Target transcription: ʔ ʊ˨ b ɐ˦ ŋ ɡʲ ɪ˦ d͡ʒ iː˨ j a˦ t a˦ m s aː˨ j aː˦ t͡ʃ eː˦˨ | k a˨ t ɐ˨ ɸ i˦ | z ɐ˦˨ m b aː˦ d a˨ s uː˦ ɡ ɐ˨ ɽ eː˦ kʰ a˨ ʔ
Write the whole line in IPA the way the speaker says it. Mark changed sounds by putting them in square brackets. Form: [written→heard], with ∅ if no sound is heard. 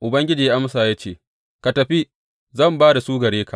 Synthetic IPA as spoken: ʔ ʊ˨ b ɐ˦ ŋ ɡʲ ɪ˦ d͡ʒ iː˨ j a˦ [t→ʔ] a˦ m s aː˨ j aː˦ t͡ʃ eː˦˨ | k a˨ t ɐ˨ ɸ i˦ | z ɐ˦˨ m b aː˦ d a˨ s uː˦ ɡ ɐ˨ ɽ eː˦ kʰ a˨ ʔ